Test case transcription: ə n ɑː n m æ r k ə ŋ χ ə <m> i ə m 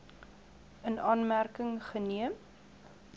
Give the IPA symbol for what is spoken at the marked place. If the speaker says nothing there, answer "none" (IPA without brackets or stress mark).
n